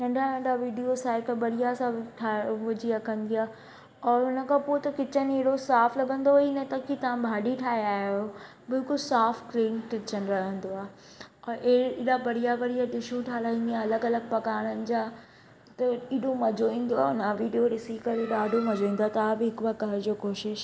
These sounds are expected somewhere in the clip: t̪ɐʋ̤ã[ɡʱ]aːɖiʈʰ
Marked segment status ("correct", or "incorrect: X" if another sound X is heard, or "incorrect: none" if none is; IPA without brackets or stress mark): incorrect: bʱ